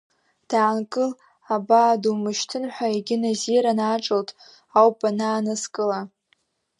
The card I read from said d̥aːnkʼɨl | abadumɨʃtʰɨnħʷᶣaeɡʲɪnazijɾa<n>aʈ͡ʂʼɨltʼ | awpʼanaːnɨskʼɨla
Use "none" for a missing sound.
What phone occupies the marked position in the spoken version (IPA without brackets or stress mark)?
n